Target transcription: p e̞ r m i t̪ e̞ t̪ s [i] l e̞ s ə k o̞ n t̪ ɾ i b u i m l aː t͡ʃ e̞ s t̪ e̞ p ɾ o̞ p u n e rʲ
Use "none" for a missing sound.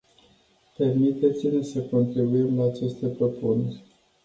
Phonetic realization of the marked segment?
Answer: i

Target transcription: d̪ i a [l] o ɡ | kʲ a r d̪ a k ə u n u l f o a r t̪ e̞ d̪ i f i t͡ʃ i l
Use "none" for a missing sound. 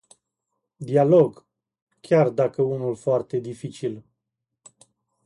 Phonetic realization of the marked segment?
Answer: l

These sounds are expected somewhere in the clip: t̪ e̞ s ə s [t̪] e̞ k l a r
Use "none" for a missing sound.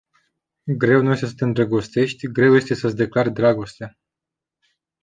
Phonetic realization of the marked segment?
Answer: d̪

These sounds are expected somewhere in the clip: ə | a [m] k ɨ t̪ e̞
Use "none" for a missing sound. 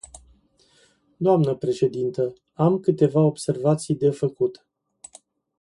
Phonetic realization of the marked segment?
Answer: m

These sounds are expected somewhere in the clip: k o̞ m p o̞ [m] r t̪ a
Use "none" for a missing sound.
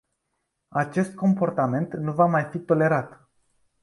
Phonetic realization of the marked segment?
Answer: none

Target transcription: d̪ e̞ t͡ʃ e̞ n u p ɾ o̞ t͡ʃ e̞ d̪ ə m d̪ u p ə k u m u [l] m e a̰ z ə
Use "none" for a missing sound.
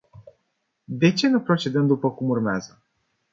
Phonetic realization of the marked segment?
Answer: r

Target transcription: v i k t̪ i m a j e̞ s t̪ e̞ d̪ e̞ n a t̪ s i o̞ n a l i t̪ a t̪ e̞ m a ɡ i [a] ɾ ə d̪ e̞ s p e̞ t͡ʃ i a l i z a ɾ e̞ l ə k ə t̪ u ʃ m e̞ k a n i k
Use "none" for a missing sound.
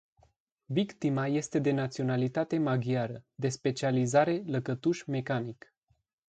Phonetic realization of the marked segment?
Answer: a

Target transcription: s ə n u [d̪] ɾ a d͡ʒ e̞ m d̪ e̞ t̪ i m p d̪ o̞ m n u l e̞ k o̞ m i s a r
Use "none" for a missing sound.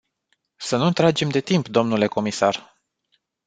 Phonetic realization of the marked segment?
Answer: t̪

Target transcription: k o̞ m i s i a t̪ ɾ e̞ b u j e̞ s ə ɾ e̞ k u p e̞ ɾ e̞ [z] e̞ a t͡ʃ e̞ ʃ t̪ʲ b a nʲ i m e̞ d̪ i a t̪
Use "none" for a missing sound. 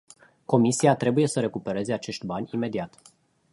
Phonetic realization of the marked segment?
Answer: z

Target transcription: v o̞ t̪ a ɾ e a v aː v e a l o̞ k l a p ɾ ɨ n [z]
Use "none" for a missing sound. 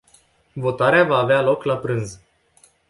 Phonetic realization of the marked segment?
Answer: z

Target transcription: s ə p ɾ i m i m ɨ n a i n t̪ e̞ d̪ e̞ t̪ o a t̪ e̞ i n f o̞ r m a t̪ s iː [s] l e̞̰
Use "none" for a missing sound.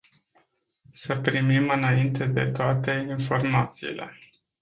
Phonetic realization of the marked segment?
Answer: none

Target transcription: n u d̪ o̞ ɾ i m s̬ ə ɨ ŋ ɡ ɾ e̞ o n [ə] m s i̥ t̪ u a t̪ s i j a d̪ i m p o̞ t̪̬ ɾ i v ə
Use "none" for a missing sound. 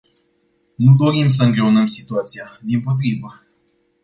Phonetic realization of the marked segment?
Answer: ə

